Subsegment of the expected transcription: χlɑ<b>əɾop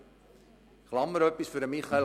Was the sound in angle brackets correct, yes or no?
no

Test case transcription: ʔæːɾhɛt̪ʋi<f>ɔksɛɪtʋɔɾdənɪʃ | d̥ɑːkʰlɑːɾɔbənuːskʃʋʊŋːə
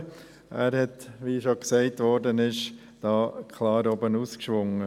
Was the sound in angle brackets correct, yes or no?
no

